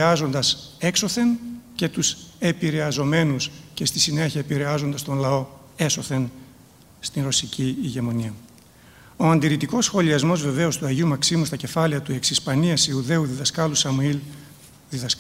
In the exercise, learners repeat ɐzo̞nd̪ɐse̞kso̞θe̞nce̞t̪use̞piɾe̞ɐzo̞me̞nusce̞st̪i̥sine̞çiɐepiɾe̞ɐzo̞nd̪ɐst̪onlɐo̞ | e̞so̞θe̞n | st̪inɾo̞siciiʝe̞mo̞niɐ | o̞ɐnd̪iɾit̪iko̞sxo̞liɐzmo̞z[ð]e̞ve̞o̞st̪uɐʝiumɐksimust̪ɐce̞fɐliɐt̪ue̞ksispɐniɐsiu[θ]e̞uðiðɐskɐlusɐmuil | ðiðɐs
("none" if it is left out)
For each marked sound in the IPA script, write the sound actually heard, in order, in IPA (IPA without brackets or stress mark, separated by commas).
v, ð